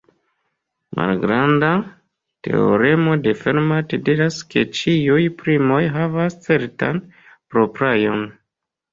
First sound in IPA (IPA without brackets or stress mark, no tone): m